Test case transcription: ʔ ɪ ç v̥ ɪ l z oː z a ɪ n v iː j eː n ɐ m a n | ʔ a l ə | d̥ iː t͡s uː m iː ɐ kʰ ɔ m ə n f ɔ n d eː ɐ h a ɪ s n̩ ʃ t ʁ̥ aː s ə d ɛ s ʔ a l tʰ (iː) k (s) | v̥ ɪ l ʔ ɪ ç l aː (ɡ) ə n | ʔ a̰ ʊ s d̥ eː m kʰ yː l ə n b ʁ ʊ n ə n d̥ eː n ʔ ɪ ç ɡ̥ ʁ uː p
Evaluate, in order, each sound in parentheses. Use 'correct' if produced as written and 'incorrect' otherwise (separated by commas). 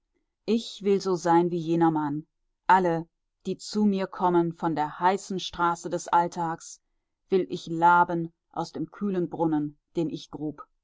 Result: incorrect, correct, incorrect